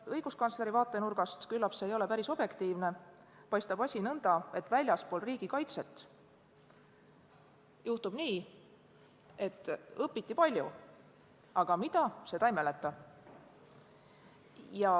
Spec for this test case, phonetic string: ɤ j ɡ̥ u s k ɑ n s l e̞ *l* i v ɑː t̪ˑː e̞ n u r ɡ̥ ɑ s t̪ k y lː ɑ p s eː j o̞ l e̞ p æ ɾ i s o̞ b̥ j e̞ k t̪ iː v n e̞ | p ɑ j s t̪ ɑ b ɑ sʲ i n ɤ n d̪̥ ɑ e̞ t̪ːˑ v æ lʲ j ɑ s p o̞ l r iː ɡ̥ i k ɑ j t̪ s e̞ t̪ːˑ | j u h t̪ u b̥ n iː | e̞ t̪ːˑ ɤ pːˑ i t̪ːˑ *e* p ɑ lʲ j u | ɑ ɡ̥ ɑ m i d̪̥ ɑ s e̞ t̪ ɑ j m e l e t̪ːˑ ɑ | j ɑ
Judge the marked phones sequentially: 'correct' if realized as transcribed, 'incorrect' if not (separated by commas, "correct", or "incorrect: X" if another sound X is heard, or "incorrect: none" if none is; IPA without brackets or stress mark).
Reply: incorrect: ɾ, incorrect: i